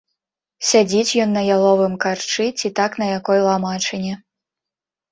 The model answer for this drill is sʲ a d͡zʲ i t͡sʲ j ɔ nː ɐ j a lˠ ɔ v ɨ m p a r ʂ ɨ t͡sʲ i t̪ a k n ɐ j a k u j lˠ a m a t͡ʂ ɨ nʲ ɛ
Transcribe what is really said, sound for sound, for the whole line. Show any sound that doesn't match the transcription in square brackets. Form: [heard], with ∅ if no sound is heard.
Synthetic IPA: sʲ a d͡zʲ i t͡sʲ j ɔ nː ɐ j a lˠ ɔ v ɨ m [k] a r [t͡ʂ] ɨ t͡sʲ i t̪ a k n ɐ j a k [ɔ] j lˠ a m a t͡ʂ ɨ nʲ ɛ